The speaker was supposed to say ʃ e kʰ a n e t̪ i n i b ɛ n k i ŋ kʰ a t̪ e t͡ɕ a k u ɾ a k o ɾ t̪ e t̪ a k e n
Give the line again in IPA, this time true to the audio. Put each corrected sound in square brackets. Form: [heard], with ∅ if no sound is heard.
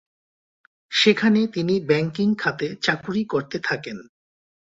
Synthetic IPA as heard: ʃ e kʰ a n e t̪ i n i b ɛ [ŋ] k i ŋ kʰ a t̪ e t͡ɕ a k u ɾ [i] k o ɾ t̪ e [t̪ʰ] a k e n